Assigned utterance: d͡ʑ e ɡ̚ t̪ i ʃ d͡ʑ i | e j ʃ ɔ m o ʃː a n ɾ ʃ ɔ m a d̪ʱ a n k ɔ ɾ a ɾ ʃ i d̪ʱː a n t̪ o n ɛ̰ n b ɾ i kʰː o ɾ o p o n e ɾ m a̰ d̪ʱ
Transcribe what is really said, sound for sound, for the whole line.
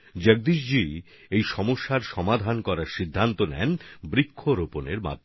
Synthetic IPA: d͡ʑ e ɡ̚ d̪ i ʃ d͡ʑ i | e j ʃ ɔ m o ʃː a ɾ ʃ ɔ m a d̪ʱ a n k ɔ ɾ a ɾ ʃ i d̪ʱː a n t̪ o n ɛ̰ n b ɾ i kʰː o ɾ o p o n e ɾ m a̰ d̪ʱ